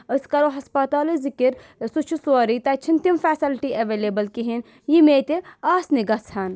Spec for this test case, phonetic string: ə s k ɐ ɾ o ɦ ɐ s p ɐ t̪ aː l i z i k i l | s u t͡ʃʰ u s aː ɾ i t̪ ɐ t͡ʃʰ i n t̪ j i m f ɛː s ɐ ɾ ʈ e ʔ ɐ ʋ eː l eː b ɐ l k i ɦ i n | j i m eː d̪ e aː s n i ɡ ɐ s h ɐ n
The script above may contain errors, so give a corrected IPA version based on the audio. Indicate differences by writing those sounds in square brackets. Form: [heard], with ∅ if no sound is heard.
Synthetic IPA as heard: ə s k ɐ ɾ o ɦ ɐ s p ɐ t̪ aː l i z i k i [ɾ] | s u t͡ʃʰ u s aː ɾ i t̪ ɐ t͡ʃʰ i n t̪ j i m f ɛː s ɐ [l] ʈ [i] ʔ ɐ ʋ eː l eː b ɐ l k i ɦ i n | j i m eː [t̪] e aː s n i ɡ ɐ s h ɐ n

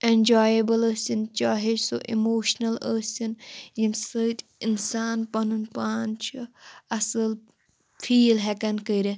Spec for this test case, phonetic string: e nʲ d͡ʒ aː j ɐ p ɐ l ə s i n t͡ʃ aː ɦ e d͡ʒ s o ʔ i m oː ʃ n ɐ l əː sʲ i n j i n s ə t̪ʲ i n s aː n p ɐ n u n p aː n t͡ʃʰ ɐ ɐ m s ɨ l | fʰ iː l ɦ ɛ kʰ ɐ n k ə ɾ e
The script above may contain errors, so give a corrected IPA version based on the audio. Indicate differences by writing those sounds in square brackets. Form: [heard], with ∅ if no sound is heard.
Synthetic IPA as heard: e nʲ d͡ʒ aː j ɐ [b] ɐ l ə s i n t͡ʃ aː ɦ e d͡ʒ s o ʔ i m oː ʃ n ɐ l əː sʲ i n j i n s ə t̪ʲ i n s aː n p ɐ n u n p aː n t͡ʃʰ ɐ ɐ [∅] s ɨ l | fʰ iː l ɦ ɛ [k] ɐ n k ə ɾ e

